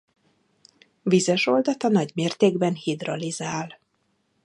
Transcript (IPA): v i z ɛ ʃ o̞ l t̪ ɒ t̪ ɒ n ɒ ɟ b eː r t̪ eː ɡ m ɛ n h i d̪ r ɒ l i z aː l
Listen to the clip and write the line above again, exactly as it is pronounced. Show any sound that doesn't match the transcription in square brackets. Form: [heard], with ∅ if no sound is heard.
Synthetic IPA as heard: v i z ɛ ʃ o̞ l [d̪] ɒ t̪ ɒ n ɒ ɟ [m] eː r t̪ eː ɡ [b] ɛ n h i d̪ r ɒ l i z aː l